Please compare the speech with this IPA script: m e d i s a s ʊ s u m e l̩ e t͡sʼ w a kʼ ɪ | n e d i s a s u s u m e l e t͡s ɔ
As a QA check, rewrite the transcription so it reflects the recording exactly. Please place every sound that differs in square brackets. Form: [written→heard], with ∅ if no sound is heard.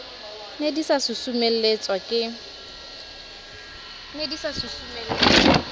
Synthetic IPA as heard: [m→n] e d i s a s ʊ s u m e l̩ e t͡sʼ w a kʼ ɪ | n e d i s a s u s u m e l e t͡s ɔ